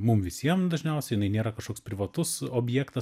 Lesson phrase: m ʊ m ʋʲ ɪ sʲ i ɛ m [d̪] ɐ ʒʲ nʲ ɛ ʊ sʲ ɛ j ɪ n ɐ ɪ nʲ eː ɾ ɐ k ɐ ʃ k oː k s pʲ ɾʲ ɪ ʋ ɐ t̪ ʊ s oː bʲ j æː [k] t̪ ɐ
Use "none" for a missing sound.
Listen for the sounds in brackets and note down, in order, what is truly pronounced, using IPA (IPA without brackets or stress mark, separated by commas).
d̪, k